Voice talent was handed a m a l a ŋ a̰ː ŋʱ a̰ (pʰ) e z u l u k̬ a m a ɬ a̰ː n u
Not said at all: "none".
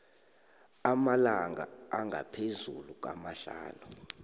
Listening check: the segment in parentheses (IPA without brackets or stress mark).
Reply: pʰ